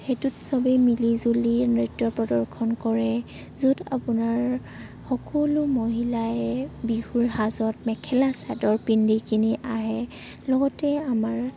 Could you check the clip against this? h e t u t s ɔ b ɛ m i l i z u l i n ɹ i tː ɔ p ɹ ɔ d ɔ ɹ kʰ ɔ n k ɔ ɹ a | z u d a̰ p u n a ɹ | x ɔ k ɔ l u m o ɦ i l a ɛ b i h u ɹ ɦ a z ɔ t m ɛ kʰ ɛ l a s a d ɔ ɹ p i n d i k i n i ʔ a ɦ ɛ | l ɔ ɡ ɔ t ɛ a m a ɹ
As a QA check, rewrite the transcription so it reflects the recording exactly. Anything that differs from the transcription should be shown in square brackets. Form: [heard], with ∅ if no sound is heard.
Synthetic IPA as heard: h e t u t s ɔ b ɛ m i l i z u l i n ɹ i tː ɔ p ɹ ɔ d ɔ ɹ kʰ ɔ n k ɔ ɹ [ɛ] | z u d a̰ p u n a ɹ | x ɔ k ɔ l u m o ɦ i l a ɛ b i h u ɹ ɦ a z ɔ t m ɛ kʰ ɛ l a s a d ɔ ɹ p i n d i k i n i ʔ a ɦ ɛ | l ɔ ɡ ɔ t ɛ a m a ɹ